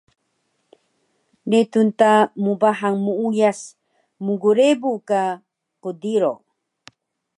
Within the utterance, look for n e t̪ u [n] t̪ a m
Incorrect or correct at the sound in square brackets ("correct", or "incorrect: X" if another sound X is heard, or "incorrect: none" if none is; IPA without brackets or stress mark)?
correct